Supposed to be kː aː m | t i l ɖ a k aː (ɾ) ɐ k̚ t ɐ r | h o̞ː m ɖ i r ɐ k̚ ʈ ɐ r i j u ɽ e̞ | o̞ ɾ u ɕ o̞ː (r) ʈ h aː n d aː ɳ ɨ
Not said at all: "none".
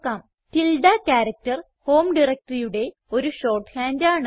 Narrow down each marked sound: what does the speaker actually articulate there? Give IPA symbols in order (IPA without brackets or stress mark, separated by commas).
ɾ, r